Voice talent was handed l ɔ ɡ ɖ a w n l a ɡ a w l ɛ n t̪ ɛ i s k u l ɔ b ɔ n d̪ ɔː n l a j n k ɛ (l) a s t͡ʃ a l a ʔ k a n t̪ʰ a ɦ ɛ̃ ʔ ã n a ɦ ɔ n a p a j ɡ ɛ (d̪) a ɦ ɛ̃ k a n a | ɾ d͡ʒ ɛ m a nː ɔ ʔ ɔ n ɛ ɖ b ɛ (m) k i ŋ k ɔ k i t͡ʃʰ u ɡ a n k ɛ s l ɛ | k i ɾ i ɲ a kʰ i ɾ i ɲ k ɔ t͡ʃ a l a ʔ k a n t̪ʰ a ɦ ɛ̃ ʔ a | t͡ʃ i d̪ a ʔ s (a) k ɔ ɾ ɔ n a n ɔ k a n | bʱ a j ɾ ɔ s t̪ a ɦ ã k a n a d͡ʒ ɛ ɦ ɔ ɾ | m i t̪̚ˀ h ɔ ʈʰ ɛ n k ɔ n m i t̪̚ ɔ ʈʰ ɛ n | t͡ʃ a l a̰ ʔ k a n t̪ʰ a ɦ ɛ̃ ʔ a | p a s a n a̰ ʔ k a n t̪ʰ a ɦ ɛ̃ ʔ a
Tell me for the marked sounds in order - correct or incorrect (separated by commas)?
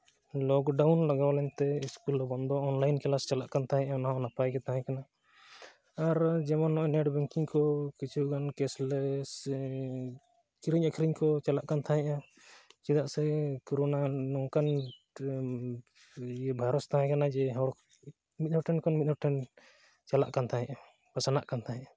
correct, incorrect, incorrect, incorrect